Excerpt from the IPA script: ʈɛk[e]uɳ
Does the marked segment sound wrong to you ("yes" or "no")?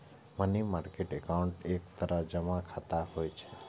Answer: yes